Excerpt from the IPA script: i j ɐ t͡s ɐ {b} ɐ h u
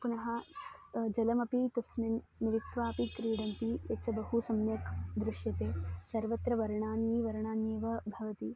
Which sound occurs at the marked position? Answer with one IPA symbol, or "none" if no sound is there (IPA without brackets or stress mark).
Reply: b